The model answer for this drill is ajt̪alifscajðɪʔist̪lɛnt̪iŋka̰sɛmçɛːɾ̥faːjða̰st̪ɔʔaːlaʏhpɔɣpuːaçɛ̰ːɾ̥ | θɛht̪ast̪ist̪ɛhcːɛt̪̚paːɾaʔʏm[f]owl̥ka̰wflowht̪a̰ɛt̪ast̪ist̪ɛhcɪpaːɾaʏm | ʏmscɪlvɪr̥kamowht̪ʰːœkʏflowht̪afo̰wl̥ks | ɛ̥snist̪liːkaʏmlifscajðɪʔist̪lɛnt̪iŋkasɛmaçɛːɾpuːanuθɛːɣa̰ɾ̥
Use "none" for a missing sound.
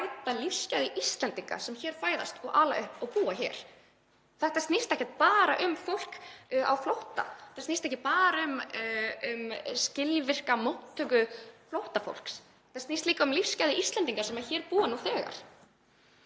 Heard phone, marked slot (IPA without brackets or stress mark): f